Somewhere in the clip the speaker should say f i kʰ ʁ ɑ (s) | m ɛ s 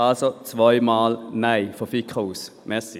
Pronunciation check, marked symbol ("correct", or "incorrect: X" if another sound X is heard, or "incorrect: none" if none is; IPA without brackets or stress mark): correct